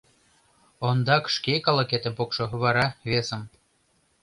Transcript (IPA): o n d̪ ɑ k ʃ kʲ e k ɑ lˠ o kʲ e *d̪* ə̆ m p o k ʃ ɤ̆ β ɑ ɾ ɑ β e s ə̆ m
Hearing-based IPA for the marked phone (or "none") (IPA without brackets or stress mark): t̪